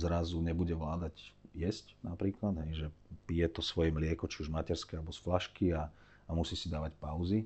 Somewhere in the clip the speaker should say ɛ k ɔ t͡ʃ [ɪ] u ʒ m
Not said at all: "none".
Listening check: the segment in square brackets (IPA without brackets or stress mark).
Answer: i